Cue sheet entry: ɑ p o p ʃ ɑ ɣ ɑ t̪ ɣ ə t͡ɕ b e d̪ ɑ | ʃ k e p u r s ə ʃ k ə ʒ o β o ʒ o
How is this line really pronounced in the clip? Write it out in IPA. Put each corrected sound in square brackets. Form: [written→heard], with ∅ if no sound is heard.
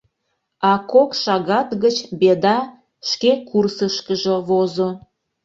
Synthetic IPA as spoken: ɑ [p→k] o [p→k] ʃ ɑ ɣ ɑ t̪ ɣ ə t͡ɕ b e d̪ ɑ | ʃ k e [p→k] u r s ə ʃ k ə ʒ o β o [ʒ→z] o